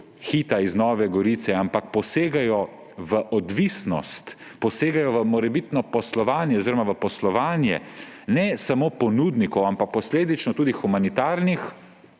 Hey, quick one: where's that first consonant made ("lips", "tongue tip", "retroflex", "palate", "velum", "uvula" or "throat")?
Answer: velum